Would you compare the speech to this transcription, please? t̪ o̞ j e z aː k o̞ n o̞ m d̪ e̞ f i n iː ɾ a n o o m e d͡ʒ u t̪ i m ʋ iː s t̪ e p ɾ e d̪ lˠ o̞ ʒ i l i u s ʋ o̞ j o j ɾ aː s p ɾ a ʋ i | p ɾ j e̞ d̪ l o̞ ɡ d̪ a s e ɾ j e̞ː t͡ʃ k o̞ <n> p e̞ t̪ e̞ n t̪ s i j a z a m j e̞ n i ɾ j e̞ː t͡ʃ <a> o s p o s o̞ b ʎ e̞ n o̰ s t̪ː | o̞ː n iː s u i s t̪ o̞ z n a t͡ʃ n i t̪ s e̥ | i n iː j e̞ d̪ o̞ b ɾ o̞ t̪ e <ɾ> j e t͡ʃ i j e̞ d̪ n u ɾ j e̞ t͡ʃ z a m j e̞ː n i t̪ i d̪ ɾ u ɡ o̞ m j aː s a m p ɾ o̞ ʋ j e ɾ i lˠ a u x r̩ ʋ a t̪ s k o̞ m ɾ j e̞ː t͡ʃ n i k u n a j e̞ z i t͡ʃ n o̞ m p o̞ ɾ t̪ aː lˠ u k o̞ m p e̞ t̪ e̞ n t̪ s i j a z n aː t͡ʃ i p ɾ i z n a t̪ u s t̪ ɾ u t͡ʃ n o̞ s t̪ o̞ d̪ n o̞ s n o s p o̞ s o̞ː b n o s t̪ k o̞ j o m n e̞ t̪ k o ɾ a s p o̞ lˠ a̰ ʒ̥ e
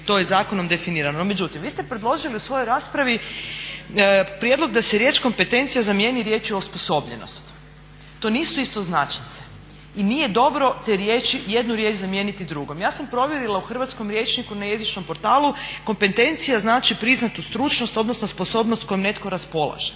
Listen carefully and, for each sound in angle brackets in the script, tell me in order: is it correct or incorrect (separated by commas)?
incorrect, incorrect, correct